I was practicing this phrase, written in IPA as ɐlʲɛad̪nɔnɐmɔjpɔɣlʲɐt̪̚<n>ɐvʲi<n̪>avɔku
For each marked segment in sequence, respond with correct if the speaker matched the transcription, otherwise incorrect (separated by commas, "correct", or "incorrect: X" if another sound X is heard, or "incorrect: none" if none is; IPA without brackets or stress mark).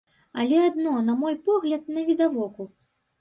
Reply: correct, incorrect: d̪